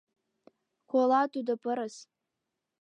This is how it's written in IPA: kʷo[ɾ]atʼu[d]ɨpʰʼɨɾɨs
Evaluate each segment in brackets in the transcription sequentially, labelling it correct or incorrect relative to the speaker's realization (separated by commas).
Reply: incorrect, correct